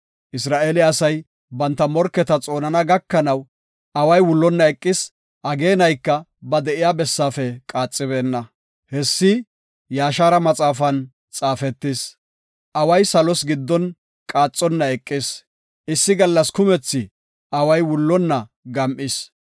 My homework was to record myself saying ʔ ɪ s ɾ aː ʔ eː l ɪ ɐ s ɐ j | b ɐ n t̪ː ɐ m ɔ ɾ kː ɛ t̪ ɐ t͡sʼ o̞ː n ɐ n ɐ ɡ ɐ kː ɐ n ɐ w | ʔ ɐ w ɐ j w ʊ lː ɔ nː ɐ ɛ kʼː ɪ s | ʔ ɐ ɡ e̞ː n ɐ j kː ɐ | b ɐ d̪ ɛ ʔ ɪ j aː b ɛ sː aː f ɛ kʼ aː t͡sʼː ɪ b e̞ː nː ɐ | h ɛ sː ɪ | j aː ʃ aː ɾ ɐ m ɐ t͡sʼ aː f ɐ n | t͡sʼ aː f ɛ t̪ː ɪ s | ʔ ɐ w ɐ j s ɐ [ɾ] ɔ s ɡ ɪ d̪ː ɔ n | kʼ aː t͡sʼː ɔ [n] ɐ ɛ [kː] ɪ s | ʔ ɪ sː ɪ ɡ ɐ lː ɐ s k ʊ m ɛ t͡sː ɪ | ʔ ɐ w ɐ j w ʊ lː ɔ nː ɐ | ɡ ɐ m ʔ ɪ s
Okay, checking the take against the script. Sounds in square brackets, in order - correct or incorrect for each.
incorrect, incorrect, incorrect

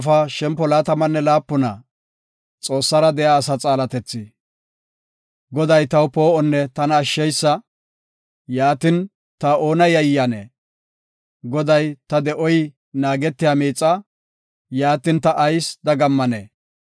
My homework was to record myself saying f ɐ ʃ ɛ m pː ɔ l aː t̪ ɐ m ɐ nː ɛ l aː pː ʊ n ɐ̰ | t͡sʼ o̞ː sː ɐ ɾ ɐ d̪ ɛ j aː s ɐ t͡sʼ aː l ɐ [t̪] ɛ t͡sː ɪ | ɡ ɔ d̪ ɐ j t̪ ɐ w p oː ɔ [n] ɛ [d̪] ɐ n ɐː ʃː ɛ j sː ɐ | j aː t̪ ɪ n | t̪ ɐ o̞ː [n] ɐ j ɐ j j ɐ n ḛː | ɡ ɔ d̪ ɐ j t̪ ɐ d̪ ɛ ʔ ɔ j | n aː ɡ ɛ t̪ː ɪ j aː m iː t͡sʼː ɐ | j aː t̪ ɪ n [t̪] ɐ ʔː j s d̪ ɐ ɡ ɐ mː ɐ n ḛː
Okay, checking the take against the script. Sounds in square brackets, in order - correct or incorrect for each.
correct, incorrect, incorrect, correct, correct

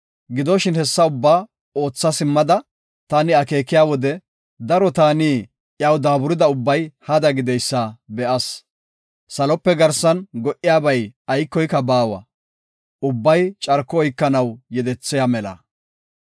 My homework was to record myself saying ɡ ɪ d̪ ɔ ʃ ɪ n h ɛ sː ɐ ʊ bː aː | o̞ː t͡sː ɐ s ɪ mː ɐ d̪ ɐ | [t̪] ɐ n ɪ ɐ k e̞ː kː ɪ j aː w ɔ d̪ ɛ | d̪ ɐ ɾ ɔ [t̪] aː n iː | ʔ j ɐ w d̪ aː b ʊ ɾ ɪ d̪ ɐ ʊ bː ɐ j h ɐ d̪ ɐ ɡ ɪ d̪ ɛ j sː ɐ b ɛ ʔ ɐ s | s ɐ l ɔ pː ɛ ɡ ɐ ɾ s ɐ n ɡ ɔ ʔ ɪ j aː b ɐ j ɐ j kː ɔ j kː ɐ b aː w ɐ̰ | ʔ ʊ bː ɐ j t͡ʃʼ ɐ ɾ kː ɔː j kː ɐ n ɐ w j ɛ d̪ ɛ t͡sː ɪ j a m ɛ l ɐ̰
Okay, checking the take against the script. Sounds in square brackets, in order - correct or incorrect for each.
correct, correct

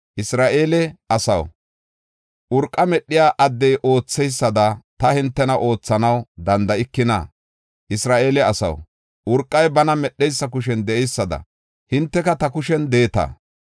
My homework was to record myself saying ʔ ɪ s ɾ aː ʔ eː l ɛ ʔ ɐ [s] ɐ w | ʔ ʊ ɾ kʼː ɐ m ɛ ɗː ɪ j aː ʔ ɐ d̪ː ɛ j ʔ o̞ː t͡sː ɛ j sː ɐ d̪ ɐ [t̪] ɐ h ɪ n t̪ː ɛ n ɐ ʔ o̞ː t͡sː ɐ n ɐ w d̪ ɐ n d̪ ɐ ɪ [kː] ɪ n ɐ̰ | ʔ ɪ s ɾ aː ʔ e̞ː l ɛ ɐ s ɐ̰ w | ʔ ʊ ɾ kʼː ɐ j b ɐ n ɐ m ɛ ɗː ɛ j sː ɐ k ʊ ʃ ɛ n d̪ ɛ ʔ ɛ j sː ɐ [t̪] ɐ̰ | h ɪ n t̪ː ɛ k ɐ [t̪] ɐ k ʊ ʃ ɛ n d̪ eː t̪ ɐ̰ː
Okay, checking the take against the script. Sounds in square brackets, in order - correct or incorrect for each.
correct, correct, correct, incorrect, correct

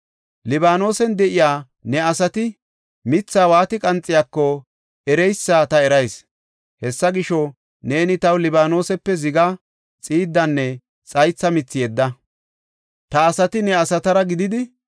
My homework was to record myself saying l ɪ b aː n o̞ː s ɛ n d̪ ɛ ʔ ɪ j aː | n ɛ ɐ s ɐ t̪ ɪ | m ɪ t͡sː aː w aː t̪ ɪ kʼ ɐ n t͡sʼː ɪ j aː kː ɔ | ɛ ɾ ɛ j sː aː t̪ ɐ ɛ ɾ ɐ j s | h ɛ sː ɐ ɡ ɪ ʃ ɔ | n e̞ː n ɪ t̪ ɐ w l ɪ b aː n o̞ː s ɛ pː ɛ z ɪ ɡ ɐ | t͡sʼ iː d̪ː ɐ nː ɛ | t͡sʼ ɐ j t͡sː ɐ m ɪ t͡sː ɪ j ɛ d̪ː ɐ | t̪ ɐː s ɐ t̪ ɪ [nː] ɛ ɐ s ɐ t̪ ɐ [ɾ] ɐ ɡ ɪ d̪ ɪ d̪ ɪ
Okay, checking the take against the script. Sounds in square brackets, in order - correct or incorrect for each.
incorrect, correct

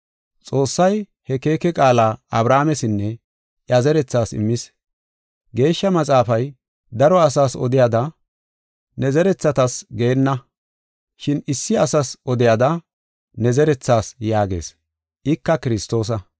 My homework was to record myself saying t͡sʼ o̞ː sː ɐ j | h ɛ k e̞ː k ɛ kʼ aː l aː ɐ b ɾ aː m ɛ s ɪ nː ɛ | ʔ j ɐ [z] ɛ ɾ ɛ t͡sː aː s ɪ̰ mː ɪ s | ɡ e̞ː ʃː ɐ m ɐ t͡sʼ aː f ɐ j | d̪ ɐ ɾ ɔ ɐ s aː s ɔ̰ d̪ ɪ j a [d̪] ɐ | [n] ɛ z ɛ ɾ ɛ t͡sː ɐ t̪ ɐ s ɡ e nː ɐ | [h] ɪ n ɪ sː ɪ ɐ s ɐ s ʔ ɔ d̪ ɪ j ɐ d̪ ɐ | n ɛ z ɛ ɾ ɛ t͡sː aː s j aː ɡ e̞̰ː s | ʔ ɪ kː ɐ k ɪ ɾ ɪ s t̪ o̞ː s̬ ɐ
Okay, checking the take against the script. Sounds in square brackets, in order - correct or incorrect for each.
correct, correct, correct, incorrect

